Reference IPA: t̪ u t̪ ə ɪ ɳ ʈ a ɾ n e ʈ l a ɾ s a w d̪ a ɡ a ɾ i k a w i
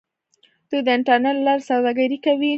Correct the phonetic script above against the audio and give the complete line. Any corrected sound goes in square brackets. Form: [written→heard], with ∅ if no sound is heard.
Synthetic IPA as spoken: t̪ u [t̪→d̪] ə ɪ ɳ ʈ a ɾ n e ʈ l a ɾ s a w d̪ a ɡ a ɾ i k a w i